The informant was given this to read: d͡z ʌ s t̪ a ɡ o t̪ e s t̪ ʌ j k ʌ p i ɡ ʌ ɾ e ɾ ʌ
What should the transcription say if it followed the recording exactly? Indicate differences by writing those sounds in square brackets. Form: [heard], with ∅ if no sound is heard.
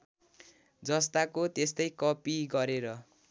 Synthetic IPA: d͡z ʌ s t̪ a [k] o t̪ e s t̪ ʌ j k ʌ p i ɡ ʌ ɾ e ɾ ʌ